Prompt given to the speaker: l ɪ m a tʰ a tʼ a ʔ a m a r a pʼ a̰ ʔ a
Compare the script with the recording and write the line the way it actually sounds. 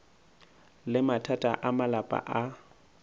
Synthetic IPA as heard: l ɪ m a tʰ a tʼ a ʔ a m a l a pʼ a̰ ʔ a